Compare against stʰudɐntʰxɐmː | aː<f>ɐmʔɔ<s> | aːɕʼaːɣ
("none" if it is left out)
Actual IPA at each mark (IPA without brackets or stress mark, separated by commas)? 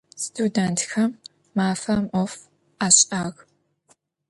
f, f